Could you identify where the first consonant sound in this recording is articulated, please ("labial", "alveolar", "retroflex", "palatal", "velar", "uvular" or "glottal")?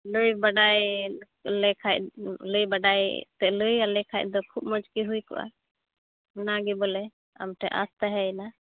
alveolar